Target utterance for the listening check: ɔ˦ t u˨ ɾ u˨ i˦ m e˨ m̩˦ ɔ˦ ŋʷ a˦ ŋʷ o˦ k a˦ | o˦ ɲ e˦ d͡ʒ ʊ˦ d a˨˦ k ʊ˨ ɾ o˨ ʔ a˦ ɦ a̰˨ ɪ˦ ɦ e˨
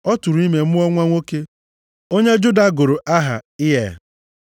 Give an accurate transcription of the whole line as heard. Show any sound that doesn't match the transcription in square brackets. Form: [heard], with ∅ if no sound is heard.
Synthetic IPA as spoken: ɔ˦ t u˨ ɾ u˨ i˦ m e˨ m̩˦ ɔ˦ ŋʷ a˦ ŋʷ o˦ k [e˦] | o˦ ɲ e˦ d͡ʒ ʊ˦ d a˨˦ [ɡ] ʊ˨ ɾ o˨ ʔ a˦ ɦ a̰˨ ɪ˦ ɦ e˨